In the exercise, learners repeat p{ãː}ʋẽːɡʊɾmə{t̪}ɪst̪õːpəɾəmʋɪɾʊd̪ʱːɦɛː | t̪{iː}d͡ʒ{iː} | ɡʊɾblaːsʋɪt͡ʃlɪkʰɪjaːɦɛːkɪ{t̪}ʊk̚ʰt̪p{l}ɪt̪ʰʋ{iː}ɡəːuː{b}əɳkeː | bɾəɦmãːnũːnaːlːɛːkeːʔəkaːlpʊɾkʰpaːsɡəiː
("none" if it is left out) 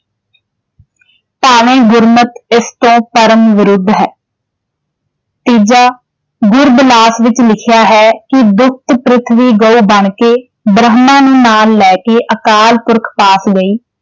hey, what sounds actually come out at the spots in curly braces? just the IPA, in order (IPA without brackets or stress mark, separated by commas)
aː, t̪, iː, aː, d̪, ɾ, iː, b